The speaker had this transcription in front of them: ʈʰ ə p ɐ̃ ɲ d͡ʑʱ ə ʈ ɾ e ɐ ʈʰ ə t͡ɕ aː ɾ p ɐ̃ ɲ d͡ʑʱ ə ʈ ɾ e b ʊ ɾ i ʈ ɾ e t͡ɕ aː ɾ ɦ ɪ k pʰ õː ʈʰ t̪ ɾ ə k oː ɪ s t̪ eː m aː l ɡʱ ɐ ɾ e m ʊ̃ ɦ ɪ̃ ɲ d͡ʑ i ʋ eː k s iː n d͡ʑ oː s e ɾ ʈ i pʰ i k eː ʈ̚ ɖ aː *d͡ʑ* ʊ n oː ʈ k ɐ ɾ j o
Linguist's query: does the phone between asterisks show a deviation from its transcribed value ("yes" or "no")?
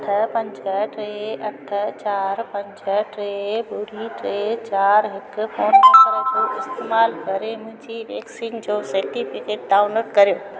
yes